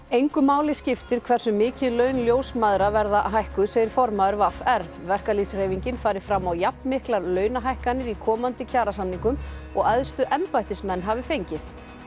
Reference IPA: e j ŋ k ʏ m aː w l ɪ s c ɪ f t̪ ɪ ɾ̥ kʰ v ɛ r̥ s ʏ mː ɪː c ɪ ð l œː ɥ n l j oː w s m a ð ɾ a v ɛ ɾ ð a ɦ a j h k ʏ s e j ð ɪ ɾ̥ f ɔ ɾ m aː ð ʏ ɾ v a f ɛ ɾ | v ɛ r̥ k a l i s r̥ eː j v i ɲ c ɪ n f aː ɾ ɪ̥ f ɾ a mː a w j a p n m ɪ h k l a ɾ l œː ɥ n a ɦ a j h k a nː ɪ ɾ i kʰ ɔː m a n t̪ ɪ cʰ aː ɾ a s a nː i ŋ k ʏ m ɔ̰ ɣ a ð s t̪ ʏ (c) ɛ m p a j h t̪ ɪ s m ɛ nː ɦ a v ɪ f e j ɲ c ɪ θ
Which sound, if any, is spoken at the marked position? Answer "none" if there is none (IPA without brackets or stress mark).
ʔ